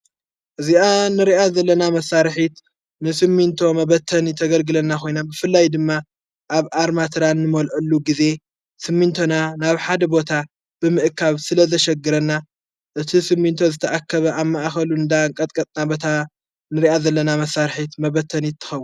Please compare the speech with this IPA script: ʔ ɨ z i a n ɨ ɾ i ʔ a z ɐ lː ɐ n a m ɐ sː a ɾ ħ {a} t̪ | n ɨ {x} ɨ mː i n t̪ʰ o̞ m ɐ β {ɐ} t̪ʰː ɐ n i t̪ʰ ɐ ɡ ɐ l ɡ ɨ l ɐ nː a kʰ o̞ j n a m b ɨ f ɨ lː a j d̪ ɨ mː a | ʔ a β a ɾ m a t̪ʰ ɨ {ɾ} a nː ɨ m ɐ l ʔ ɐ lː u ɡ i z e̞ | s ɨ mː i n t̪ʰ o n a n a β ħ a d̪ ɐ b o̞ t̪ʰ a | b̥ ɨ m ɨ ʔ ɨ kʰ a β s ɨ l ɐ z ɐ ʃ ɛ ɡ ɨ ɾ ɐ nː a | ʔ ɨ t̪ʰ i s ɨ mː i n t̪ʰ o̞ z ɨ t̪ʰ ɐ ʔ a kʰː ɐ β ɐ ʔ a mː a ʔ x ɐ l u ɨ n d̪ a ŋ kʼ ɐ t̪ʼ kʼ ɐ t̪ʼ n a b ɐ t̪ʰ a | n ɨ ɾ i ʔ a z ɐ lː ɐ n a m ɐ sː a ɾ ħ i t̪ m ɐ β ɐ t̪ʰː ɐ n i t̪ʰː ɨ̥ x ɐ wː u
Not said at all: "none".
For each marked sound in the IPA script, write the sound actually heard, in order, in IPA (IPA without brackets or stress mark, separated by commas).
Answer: i, s, ɐ, ɾ